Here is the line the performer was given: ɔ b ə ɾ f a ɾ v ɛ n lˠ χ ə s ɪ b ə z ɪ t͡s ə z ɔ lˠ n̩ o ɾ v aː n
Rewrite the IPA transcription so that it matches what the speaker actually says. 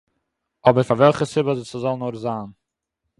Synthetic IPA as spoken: ɔ b ə ɾ f a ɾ v ɛ lˠ χ ə s ɪ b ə z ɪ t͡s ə z ɔ lˠ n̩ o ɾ z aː n